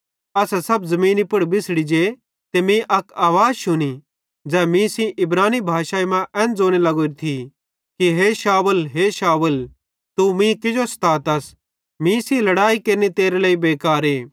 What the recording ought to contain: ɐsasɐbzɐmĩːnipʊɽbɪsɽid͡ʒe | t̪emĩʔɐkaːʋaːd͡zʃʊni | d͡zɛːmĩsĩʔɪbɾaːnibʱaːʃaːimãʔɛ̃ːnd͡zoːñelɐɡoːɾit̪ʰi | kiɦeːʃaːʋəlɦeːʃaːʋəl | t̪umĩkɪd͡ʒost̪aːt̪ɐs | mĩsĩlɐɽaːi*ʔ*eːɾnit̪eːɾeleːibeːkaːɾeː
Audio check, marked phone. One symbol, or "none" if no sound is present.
k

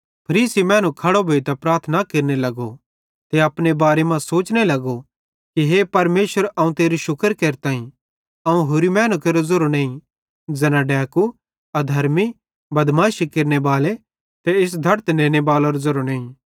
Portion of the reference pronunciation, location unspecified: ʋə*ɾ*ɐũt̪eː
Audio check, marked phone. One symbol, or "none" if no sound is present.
ɾ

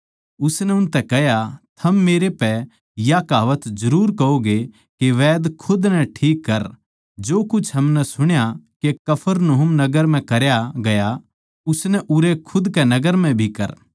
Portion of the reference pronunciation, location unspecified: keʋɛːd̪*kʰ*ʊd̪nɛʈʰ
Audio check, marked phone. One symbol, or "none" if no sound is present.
kʰ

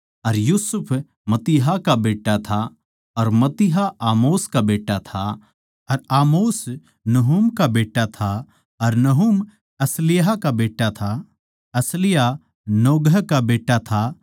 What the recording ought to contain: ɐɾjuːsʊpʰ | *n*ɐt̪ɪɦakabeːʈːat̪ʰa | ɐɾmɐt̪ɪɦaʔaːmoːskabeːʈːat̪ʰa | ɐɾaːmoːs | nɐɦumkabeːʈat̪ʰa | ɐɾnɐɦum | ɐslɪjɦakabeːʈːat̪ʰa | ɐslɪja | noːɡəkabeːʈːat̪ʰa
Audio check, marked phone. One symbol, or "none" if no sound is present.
m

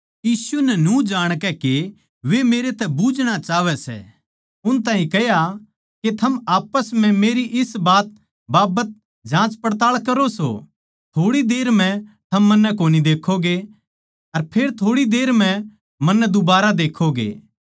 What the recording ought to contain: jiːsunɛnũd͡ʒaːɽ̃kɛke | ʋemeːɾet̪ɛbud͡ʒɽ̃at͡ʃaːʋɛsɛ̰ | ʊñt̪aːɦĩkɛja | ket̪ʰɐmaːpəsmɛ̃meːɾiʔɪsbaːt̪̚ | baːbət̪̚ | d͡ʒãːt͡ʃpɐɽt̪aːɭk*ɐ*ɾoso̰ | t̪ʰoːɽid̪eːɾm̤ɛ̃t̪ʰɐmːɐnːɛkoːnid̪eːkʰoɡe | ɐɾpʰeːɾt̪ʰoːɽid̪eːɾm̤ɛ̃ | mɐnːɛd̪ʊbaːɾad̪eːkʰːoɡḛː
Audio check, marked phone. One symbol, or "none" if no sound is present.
ɐ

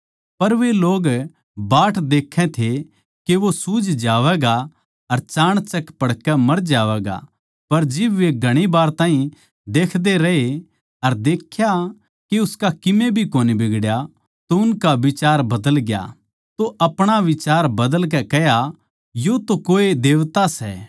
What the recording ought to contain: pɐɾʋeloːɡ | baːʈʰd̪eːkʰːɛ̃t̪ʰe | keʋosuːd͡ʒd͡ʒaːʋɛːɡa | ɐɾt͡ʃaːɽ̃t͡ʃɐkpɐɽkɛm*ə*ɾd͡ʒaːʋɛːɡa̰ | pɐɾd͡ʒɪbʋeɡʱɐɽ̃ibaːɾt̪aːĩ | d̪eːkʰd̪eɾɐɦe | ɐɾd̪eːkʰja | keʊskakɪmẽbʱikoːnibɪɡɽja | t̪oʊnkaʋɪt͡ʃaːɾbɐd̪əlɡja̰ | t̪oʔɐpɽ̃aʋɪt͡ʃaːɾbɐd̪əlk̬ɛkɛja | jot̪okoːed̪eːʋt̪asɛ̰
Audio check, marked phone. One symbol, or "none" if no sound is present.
ɐ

